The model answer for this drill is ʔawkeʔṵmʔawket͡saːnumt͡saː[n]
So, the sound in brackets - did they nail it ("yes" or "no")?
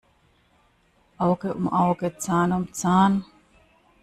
yes